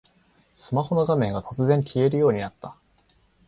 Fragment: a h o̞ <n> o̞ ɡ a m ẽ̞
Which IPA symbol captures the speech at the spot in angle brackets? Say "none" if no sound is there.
n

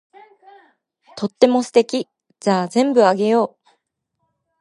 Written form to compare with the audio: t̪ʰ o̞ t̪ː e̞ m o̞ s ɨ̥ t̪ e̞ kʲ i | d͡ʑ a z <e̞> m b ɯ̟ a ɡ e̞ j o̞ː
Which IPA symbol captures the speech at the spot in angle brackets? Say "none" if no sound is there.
ẽ̞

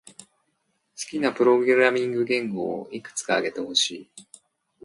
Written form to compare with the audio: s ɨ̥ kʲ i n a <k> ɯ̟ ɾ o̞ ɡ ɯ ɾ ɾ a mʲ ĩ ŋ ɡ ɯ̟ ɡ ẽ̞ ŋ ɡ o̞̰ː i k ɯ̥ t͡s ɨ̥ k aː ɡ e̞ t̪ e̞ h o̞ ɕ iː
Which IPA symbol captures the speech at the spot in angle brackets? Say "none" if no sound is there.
p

